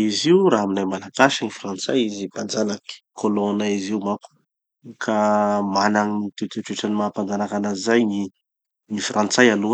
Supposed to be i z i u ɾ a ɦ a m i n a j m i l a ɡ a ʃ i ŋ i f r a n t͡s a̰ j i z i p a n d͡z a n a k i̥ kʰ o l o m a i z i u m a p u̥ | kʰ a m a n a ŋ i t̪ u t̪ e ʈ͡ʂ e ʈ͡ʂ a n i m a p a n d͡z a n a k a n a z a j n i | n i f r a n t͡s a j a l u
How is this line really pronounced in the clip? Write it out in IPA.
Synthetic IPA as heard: i z i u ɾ a ɦ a m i n a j m a l a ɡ a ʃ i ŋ i f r a n t͡s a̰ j i z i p a n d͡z a n a k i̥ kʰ o l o n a i z i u m a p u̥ | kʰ a m a n a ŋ i t̪ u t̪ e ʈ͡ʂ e ʈ͡ʂ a n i m a p a n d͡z a n a k a n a z a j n i | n i f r a n t͡s a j a l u